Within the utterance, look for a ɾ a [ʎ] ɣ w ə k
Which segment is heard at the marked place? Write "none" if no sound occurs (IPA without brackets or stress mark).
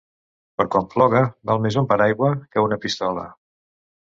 j